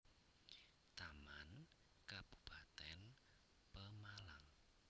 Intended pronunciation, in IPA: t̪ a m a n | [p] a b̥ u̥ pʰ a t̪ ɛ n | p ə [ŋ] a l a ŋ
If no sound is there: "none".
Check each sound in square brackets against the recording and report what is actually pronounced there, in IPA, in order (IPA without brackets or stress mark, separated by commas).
k, m